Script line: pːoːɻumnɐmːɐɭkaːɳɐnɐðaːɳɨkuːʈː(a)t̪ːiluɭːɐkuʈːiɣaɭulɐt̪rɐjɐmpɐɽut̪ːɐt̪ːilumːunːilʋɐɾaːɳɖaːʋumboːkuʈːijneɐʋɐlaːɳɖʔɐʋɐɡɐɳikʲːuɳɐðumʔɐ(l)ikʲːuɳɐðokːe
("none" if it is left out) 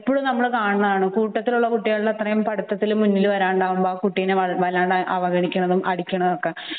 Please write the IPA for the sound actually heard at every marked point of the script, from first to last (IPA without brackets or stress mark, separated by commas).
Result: ɐ, ɽ